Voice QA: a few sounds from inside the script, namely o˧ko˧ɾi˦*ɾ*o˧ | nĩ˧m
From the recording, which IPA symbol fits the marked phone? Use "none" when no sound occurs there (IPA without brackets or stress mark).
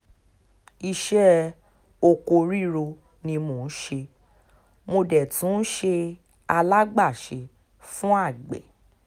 ɾ